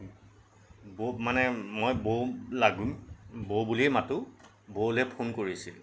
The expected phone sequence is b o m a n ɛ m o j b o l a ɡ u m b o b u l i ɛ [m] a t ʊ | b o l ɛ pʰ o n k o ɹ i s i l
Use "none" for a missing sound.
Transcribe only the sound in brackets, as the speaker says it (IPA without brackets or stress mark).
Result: m